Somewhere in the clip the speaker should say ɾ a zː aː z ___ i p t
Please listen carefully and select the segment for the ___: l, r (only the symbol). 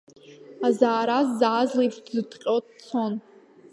l